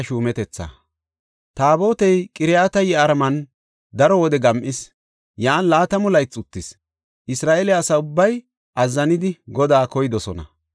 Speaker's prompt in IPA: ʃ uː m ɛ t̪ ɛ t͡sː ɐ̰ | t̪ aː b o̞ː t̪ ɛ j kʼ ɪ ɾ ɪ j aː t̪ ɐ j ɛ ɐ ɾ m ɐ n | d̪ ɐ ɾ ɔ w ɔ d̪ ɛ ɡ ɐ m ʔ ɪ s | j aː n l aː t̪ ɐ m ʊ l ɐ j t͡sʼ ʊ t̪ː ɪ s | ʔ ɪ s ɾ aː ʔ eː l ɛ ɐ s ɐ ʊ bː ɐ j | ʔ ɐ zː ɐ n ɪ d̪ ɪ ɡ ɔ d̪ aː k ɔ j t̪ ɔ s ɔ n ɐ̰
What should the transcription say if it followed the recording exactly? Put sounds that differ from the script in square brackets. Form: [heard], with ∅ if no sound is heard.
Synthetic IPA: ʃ uː m ɛ t̪ ɛ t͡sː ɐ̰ | t̪ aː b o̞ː t̪ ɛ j kʼ ɪ ɾ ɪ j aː t̪ ɐ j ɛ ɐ ɾ m ɐ n | d̪ ɐ ɾ ɔ w ɔ d̪ ɛ ɡ ɐ m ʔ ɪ s | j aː n l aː t̪ ɐ m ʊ l ɐ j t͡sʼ ʊ t̪ː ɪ s | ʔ ɪ s ɾ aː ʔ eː l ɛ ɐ s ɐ ʊ bː ɐ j | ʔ ɐ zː ɐ n ɪ d̪ ɪ ɡ ɔ d̪ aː k ɔ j [d̪] ɔ s ɔ n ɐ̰

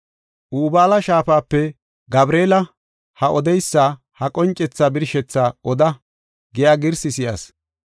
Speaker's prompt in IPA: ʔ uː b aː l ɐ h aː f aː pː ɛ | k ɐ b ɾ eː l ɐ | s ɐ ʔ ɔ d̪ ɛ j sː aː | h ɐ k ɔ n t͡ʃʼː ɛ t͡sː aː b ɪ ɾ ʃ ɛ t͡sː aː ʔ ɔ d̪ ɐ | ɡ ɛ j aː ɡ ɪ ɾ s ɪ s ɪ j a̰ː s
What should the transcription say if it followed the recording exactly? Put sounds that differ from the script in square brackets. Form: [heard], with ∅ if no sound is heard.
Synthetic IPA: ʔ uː b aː l ɐ [ʃ] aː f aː pː ɛ | [ɡ] ɐ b ɾ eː l ɐ | [h] ɐ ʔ ɔ d̪ ɛ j sː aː | h ɐ [kʼ] ɔ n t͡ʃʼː ɛ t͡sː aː b ɪ ɾ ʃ ɛ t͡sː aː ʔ ɔ d̪ ɐ | ɡ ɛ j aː ɡ ɪ ɾ s ɪ s ɪ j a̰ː s

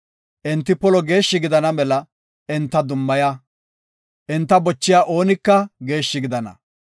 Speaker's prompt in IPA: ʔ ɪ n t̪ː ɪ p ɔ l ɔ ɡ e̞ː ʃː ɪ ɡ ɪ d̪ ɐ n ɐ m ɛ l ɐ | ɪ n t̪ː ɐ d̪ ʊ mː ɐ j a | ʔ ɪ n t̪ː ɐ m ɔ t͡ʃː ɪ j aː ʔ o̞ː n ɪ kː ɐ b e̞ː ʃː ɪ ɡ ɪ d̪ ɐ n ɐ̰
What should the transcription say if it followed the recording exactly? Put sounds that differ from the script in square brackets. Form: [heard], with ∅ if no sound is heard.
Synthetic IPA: ʔ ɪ n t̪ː ɪ p ɔ l ɔ ɡ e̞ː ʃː ɪ ɡ ɪ d̪ ɐ n ɐ m ɛ l ɐ | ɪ n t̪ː ɐ d̪ ʊ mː ɐ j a | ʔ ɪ n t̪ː ɐ [b] ɔ t͡ʃː ɪ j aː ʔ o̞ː n ɪ kː ɐ [ɡ] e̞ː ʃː ɪ ɡ ɪ d̪ ɐ n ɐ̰

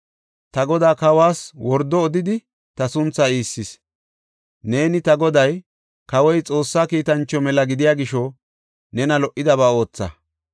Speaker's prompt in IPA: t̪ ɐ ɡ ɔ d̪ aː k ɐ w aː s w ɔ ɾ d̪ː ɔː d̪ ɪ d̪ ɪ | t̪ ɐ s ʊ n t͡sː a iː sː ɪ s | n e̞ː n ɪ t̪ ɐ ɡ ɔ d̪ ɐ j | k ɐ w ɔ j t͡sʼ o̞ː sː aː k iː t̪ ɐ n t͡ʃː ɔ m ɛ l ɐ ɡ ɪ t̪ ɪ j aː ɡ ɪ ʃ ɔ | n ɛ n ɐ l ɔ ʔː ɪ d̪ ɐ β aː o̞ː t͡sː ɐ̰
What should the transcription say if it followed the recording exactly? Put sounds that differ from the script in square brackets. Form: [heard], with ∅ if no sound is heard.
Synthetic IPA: t̪ ɐ ɡ ɔ d̪ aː k ɐ w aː s w ɔ ɾ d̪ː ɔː d̪ ɪ d̪ ɪ | t̪ ɐ s ʊ n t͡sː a iː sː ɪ s | n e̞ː n ɪ t̪ ɐ ɡ ɔ d̪ ɐ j | k ɐ w ɔ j t͡sʼ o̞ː sː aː k iː t̪ ɐ n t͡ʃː ɔ m ɛ l ɐ ɡ ɪ [d̪] ɪ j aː ɡ ɪ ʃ ɔ | n ɛ n ɐ l ɔ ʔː ɪ d̪ ɐ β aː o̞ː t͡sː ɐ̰

